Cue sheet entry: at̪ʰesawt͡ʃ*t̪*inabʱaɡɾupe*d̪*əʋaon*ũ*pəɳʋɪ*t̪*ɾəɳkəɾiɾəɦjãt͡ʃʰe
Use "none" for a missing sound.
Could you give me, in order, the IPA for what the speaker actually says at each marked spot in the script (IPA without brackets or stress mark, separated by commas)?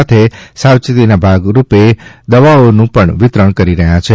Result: t̪, d̪, ũ, t̪